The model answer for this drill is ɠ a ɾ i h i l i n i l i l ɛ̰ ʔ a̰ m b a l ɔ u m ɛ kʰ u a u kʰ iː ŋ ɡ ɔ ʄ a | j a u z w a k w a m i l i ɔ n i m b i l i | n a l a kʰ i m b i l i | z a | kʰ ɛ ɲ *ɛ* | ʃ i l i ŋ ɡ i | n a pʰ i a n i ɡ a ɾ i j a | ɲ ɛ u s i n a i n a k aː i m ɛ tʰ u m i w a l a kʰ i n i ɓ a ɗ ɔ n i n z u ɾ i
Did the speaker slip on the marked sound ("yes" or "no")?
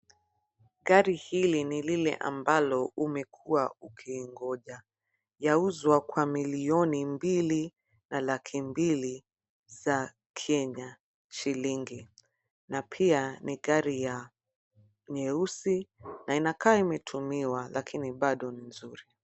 yes